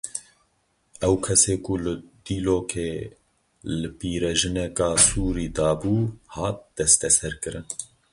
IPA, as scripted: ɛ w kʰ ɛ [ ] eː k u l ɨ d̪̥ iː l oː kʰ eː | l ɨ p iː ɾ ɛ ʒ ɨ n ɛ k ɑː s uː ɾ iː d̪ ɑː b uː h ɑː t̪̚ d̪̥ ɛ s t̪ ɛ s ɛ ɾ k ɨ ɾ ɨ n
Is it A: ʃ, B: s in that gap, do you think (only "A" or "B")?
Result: B